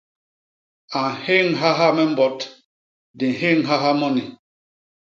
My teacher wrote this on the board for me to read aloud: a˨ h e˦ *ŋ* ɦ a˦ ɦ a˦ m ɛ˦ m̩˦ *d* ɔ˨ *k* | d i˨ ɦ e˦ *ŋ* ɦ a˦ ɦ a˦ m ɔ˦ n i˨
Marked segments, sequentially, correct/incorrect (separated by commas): correct, incorrect, incorrect, correct